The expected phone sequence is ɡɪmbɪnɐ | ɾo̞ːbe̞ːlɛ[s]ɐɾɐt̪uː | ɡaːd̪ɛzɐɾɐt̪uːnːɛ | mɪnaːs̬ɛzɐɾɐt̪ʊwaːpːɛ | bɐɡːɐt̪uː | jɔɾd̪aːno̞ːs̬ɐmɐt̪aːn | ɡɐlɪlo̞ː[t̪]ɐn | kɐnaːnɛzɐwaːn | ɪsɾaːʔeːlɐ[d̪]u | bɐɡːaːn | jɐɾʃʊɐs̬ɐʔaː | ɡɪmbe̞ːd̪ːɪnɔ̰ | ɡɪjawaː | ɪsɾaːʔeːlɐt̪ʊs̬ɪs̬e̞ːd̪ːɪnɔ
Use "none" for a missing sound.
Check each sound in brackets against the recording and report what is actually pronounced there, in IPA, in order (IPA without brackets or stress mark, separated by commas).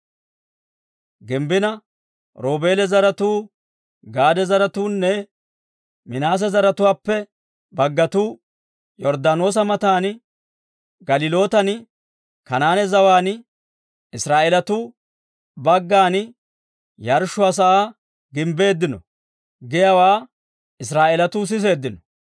z, t̪, t̪